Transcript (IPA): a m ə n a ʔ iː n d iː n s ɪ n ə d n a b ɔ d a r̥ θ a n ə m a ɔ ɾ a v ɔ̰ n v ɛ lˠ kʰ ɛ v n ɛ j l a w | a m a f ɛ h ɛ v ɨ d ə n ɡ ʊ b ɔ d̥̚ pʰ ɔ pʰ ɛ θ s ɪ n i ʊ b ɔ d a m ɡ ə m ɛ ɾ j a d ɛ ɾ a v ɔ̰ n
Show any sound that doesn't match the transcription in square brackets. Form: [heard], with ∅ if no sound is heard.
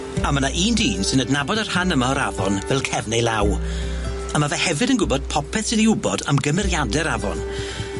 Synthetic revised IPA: a m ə n a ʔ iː n d iː n s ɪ n ə d n a b ɔ d a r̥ [h] a n ə m a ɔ ɾ a v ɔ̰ n v ɛ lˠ kʰ ɛ v n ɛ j l a w | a m a [v] ɛ h ɛ v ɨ d ə n ɡ ʊ b ɔ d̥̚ pʰ ɔ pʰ ɛ θ s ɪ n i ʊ b ɔ d a m ɡ ə m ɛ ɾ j a d ɛ ɾ a v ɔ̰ n